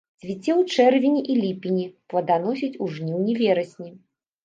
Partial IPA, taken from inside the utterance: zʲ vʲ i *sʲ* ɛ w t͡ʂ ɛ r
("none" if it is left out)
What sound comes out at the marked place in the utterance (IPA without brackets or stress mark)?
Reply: t͡sʲ